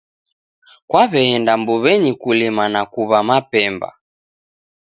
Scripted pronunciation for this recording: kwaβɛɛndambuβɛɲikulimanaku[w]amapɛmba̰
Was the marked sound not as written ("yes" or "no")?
yes